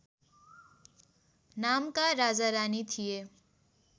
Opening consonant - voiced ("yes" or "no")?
yes